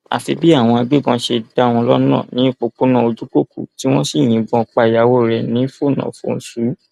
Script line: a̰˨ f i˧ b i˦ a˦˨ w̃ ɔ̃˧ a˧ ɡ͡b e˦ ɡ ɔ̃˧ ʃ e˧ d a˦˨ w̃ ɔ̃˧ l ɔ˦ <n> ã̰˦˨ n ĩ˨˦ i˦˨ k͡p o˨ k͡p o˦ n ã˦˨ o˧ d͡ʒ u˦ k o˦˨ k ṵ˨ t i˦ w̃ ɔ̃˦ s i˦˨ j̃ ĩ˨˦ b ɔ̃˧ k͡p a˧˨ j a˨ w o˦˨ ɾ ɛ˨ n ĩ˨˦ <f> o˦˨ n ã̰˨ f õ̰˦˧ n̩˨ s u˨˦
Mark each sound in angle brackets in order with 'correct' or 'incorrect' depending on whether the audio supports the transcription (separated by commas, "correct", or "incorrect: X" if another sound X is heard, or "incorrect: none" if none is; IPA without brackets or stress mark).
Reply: correct, correct